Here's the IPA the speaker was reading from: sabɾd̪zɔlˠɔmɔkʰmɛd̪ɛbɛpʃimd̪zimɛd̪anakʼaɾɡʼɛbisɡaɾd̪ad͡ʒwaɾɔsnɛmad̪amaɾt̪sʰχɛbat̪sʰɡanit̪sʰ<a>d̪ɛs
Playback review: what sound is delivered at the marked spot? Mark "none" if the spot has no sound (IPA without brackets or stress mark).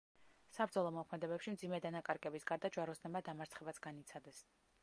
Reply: a